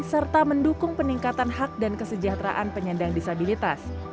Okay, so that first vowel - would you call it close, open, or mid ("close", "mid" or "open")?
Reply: mid